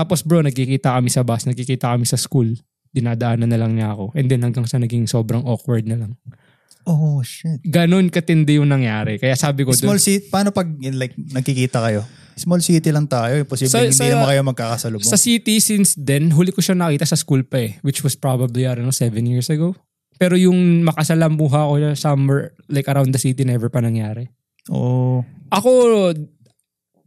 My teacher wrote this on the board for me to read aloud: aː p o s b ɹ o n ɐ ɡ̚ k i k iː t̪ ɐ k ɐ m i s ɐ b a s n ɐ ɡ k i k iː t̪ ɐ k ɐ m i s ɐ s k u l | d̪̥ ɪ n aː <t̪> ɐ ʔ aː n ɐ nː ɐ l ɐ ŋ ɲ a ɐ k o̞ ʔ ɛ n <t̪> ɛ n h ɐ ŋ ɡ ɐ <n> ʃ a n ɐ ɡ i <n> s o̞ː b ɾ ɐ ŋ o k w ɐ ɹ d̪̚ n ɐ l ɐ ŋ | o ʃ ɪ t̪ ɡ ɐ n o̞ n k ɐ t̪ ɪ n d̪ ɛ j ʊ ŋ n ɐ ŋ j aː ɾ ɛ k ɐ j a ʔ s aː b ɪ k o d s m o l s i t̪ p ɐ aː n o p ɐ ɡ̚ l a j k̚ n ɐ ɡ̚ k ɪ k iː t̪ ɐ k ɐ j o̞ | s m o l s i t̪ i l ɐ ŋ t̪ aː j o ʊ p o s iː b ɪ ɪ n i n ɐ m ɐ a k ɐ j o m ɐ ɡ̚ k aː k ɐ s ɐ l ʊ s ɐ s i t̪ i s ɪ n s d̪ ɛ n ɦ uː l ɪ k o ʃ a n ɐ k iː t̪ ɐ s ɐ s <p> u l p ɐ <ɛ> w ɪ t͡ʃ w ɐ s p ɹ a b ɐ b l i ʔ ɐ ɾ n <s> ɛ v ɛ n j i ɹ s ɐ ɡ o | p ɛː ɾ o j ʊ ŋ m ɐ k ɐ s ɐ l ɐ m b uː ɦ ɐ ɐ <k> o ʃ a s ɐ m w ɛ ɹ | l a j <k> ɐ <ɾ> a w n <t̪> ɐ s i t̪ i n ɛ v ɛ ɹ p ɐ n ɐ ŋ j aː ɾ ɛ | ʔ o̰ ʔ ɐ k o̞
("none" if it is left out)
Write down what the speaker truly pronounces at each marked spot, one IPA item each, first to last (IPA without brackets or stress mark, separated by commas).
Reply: d̪, d̪, ŋ, ŋ, k, ɛ, s, k, k, ɾ, d̪